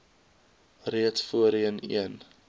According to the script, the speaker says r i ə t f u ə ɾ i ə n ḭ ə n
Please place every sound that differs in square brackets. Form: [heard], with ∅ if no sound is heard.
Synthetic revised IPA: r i ə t f u ə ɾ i ə n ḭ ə n